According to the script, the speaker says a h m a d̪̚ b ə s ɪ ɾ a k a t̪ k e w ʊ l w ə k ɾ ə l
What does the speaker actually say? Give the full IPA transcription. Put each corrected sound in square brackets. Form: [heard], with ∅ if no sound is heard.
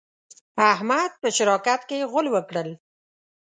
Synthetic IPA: a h m a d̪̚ [p] ə [ʃ] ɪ ɾ [ɑ] k a t̪ k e [ɣ] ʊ l w ə k [ɽ] ə l